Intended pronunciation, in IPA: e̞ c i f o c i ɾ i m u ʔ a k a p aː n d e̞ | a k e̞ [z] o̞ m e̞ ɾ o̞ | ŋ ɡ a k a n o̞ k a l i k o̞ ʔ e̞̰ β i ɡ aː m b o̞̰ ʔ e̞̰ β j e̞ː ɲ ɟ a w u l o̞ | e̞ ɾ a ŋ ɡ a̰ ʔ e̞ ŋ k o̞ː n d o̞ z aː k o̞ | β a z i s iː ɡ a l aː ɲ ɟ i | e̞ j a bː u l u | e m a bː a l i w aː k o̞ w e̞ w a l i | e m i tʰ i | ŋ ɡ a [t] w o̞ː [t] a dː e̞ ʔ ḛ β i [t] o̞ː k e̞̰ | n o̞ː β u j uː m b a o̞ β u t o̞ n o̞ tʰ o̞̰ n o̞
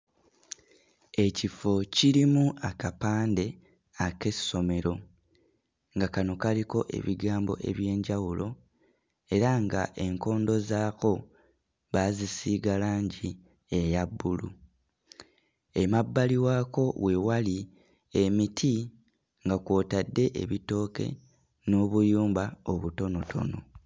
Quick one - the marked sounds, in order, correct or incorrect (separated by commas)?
incorrect, incorrect, correct, correct